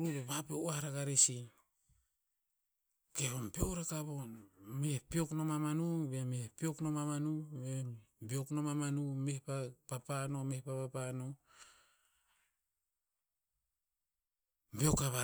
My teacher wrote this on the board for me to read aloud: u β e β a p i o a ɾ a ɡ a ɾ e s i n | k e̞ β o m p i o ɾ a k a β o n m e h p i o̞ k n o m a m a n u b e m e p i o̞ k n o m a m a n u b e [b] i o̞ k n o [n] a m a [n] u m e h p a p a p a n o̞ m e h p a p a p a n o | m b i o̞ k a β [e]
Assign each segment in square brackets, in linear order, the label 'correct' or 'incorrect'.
correct, incorrect: m, correct, incorrect: a

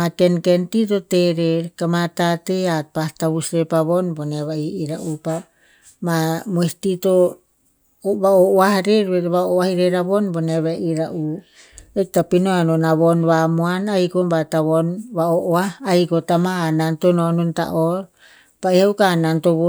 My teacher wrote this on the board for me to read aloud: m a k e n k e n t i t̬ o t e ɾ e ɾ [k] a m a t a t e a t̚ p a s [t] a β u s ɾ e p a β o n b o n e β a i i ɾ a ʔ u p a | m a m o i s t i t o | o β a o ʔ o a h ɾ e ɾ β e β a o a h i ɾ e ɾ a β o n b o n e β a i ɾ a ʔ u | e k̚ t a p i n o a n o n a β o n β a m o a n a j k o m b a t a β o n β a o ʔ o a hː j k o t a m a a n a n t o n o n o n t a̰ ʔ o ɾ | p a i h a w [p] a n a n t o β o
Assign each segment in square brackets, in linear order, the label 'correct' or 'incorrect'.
correct, correct, incorrect: k

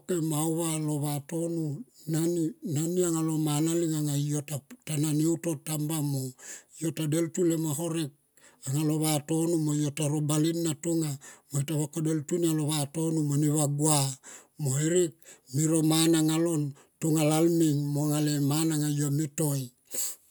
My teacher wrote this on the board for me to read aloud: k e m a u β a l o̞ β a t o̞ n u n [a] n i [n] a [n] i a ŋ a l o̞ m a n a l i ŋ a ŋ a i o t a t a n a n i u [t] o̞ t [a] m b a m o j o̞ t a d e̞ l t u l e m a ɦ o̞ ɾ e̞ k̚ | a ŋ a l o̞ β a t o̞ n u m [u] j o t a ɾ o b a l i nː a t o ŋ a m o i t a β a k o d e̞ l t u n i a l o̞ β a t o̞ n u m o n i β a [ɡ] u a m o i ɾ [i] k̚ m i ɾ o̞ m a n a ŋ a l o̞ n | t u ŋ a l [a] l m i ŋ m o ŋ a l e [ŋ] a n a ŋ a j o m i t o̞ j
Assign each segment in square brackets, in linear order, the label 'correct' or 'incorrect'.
correct, correct, correct, correct, correct, incorrect: o, correct, correct, correct, incorrect: m

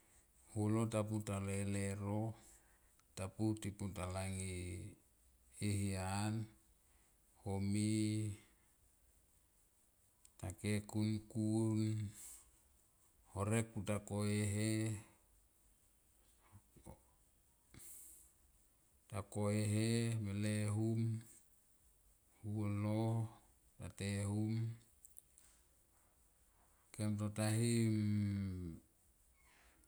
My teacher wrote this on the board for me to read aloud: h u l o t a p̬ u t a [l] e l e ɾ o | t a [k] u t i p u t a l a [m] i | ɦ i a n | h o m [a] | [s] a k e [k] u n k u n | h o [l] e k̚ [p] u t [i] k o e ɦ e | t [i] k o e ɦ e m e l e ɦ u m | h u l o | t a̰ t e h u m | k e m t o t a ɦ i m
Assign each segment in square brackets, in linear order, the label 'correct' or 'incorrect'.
correct, incorrect: p, incorrect: ŋ, incorrect: i, incorrect: t, correct, incorrect: ɾ, correct, incorrect: a, incorrect: a

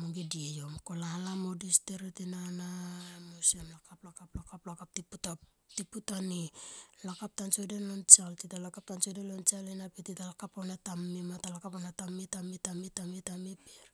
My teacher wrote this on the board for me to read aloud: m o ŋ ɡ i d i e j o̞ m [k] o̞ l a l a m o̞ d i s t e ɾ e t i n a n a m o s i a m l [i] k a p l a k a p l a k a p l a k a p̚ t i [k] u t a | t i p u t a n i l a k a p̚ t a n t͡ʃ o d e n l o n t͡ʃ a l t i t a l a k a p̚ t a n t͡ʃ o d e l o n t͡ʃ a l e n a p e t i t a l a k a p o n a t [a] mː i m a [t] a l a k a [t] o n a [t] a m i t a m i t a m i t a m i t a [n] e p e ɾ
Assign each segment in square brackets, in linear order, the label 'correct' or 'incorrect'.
correct, incorrect: a, incorrect: p, correct, correct, incorrect: p, correct, incorrect: m

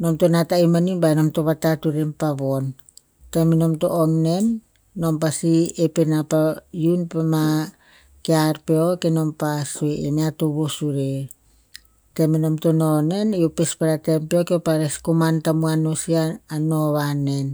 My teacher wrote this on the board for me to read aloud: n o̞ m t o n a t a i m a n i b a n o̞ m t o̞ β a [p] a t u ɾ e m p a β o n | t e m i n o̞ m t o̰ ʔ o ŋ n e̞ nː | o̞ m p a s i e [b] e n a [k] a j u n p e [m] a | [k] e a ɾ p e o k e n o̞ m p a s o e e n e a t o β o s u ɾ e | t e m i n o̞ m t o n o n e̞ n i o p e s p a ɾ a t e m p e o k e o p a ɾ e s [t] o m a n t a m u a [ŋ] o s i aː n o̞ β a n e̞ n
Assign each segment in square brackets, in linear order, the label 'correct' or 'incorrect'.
incorrect: t, incorrect: p, incorrect: p, correct, correct, incorrect: k, incorrect: n

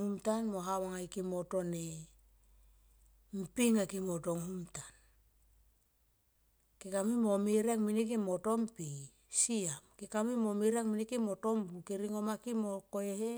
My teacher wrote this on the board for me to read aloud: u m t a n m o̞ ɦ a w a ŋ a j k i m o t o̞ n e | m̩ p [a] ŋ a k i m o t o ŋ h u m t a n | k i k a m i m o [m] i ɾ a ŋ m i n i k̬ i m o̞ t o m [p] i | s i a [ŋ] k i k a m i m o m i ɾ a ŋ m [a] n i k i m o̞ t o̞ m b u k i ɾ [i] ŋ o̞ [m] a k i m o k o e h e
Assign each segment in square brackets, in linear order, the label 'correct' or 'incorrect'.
incorrect: i, correct, correct, incorrect: m, incorrect: i, correct, correct

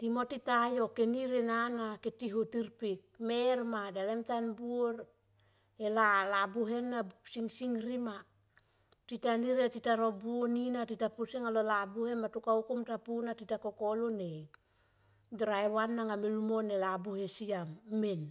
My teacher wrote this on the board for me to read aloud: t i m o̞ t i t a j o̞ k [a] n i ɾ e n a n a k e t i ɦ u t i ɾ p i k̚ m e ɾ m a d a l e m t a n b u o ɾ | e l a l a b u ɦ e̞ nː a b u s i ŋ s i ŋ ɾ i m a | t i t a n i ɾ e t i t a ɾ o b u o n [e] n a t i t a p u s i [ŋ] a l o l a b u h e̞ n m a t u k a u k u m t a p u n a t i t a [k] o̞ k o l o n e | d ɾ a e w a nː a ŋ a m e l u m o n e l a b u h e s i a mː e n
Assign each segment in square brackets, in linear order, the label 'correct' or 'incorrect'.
incorrect: e, incorrect: i, correct, correct

